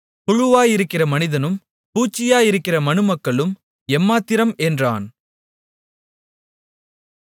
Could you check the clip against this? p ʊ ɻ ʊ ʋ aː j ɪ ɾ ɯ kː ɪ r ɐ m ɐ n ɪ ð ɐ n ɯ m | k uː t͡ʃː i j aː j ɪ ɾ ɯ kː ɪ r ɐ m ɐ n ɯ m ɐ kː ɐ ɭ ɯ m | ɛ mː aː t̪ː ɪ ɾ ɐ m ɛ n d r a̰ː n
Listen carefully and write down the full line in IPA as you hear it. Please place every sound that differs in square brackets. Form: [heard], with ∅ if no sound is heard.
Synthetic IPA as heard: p ʊ ɻ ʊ ʋ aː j ɪ ɾ ɯ kː ɪ r ɐ m ɐ n ɪ ð ɐ n ɯ m | [p] uː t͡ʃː [ɪ] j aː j ɪ ɾ ɯ kː ɪ r ɐ m ɐ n ɯ m ɐ kː ɐ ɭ ɯ m | ɛ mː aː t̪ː ɪ ɾ ɐ m ɛ n d r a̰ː n